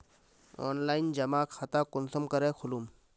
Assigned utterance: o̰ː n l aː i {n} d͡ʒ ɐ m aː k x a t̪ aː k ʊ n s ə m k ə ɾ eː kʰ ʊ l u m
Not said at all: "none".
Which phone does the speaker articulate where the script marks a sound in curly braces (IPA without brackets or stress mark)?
n